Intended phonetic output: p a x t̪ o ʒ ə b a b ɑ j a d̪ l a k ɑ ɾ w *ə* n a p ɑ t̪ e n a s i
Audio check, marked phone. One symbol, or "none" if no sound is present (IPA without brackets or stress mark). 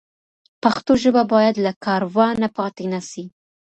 ɑ